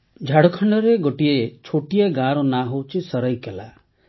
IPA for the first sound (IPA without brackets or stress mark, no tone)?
d͡ʒʱ